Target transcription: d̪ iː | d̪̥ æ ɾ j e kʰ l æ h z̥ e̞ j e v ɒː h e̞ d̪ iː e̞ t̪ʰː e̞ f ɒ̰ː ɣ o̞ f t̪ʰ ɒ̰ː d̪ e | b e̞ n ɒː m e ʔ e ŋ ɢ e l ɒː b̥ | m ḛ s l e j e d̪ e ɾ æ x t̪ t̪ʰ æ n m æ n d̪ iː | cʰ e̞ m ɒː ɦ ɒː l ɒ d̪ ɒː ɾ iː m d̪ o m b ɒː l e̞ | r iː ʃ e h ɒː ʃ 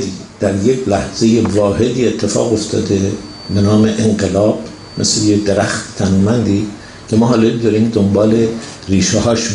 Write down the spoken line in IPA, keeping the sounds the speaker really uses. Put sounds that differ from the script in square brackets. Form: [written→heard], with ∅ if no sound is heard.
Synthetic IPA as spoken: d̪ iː | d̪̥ æ ɾ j e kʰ l æ h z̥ e̞ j e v ɒː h e̞ d̪ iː e̞ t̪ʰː e̞ f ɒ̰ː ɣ o̞ f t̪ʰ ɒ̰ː d̪ e | b e̞ n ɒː m e ʔ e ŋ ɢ e l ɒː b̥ | m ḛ s l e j e d̪ e ɾ æ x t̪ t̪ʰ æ n m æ n d̪ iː | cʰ e̞ m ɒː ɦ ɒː l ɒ d̪ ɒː ɾ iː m d̪ o m b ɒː l e̞ | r iː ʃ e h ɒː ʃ